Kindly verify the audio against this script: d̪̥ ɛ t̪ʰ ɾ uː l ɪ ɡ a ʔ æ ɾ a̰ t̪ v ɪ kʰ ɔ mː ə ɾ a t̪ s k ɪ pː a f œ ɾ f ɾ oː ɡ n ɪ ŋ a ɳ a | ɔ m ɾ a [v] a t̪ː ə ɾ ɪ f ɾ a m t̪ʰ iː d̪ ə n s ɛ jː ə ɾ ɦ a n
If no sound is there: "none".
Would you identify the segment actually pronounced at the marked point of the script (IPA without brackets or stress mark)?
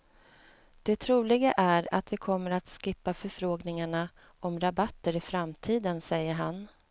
b